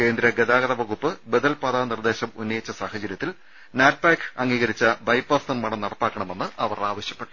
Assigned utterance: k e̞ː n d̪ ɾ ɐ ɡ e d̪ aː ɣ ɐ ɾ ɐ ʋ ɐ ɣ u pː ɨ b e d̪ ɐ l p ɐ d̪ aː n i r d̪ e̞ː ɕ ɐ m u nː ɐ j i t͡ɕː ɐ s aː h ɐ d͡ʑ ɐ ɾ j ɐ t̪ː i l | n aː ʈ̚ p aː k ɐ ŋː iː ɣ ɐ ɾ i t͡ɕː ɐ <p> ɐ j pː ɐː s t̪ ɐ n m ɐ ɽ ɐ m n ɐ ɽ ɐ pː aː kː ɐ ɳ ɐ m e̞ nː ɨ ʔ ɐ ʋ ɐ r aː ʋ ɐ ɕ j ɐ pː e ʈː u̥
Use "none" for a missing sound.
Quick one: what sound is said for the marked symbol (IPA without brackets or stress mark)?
b